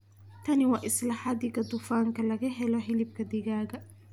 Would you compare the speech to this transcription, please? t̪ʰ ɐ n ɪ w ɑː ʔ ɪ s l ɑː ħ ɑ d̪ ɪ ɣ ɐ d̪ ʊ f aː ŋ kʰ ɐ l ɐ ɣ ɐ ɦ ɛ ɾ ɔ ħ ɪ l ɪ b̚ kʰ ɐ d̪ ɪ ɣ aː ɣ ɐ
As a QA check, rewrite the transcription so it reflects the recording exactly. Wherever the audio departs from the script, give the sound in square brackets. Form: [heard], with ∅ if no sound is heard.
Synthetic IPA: t̪ʰ ɐ n ɪ w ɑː ʔ ɪ s l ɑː ħ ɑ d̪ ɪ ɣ ɐ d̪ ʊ f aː ŋ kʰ ɐ l ɐ ɣ ɐ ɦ ɛ [l] ɔ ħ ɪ l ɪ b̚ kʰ ɐ d̪ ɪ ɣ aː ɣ ɐ